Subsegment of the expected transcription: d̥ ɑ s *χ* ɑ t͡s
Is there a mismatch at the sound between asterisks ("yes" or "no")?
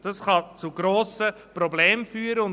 no